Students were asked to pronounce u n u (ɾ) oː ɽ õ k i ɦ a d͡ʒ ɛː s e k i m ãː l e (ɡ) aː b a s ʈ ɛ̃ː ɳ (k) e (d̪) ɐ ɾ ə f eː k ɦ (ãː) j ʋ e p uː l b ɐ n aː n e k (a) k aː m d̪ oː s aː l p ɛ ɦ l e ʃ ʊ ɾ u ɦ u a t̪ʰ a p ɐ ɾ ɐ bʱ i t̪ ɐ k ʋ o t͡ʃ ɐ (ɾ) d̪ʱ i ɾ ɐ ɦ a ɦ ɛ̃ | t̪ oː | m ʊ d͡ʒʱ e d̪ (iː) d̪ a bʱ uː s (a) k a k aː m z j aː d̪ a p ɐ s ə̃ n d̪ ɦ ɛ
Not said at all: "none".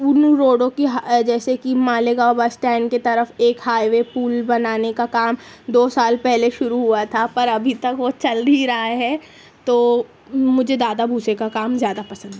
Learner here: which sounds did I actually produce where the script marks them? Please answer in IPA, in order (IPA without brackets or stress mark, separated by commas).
ɾ, ɡ, k, t̪, aː, a, l, aː, e